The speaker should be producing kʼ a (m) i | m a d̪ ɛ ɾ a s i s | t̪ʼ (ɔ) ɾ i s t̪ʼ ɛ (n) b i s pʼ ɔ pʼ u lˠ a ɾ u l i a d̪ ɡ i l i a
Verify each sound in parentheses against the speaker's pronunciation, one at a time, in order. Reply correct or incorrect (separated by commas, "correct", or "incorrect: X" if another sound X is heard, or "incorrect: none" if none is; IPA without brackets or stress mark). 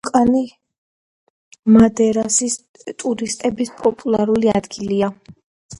incorrect: n, incorrect: u, incorrect: none